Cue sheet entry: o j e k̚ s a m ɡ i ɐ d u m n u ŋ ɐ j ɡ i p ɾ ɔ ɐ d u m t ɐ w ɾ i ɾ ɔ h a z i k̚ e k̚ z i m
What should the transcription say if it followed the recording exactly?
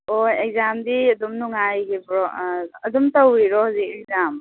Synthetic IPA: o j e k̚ z a m d i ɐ d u m n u ŋ a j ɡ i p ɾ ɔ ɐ d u m t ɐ w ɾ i ɾ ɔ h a z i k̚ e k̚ z a m